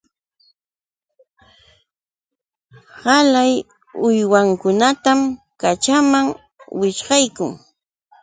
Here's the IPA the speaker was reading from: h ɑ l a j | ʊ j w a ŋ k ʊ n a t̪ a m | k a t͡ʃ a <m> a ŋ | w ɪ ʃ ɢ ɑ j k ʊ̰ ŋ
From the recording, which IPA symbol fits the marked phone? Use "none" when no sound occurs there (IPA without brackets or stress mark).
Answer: m